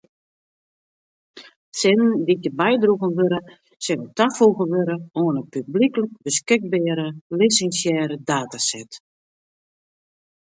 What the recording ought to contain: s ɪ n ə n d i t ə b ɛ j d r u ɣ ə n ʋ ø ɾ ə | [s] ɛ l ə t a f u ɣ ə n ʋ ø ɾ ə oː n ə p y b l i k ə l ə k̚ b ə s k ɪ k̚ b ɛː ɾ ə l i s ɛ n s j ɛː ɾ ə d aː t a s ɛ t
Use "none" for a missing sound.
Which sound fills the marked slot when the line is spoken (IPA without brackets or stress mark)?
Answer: s